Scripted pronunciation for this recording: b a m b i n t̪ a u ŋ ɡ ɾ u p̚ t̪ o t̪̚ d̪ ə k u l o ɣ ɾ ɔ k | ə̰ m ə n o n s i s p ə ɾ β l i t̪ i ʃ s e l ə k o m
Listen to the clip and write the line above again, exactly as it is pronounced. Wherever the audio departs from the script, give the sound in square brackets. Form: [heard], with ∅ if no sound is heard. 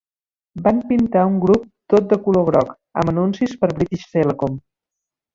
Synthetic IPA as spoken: b a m [p] i n t̪ a u ŋ ɡ ɾ u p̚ t̪ o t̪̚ d̪ ə k u l o ɣ ɾ ɔ k | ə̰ m ə n [u] n s i s p ə ɾ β [ɾ] i t̪ i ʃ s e l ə k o m